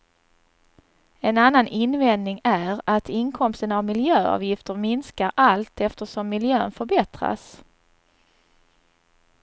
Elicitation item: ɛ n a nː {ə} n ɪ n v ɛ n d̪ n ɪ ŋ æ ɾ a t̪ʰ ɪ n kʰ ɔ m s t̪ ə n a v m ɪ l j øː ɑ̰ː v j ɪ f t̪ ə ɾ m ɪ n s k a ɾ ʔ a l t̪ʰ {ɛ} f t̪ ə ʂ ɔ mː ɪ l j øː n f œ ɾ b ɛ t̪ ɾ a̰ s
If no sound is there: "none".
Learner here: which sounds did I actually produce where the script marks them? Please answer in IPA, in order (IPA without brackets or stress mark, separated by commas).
a, ɛ